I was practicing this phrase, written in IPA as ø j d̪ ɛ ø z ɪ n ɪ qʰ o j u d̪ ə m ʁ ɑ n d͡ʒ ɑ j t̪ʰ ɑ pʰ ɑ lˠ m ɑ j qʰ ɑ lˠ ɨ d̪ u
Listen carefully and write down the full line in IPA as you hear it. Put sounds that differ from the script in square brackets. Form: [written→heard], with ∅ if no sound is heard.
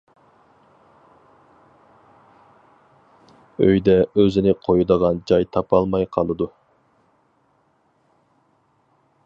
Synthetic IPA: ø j d̪ ɛ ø z ɪ n ɪ qʰ o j u d̪ ə [m→∅] ʁ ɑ n d͡ʒ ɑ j t̪ʰ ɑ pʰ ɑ lˠ m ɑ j qʰ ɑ lˠ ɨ d̪ u